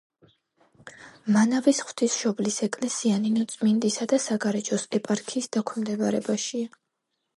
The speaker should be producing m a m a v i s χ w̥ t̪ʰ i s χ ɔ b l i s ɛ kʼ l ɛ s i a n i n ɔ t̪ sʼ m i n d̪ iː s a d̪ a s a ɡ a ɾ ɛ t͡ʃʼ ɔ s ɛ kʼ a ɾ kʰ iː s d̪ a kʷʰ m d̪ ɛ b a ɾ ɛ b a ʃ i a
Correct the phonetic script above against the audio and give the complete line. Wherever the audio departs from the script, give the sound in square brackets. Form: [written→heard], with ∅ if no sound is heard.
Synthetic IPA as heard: m a [m→n] a v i s χ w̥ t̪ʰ i s [χ→ʃ] ɔ b l i s ɛ kʼ l ɛ s i a n i n ɔ t̪ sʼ m i n d̪ [iː→i] s a d̪ a s a ɡ a ɾ ɛ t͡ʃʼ ɔ s ɛ [kʼ→pʼ] a ɾ kʰ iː s d̪ a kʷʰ m d̪ ɛ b a ɾ ɛ b a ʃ i a